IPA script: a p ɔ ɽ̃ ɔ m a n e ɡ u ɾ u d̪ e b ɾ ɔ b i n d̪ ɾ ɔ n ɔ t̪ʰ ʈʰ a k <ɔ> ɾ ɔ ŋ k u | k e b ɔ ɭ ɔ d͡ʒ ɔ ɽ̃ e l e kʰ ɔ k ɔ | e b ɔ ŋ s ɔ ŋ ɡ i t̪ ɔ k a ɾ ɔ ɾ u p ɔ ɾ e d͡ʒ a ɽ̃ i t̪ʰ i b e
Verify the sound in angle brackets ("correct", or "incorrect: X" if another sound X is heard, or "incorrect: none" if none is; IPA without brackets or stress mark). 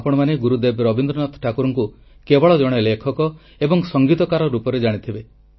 incorrect: u